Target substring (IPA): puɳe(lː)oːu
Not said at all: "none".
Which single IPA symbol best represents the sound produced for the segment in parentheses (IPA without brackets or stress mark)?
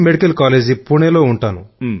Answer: l